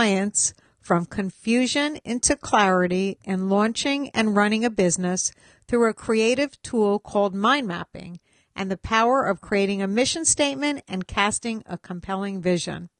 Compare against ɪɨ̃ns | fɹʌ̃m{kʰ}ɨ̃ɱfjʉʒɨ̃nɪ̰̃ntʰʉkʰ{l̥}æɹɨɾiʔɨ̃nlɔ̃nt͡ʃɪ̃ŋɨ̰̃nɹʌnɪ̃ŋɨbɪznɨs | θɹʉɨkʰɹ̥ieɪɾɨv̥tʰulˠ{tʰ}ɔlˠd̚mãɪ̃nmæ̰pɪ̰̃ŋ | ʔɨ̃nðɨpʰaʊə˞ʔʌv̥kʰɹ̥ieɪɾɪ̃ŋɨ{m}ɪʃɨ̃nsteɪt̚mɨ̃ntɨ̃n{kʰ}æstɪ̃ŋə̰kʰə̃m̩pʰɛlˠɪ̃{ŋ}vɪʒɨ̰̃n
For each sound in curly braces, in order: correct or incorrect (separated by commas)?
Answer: correct, correct, incorrect, correct, correct, correct